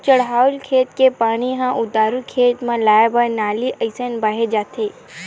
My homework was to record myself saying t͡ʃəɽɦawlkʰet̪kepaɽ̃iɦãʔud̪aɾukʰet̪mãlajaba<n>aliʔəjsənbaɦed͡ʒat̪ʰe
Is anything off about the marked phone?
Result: no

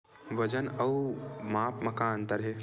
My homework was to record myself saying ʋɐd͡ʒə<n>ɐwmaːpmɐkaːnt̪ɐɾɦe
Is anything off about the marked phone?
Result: no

